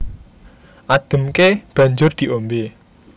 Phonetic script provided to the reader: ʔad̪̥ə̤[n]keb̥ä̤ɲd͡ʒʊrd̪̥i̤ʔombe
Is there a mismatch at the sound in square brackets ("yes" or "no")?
yes